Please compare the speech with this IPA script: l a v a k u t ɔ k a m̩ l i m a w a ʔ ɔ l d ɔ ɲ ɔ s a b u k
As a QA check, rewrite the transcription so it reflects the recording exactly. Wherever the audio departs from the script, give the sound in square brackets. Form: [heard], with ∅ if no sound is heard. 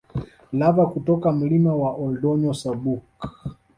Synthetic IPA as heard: l a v a k u t ɔ k a m̩ l i m a w a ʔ ɔ l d ɔ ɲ ɔ s a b u k